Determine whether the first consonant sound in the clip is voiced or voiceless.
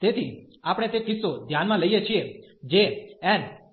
voiceless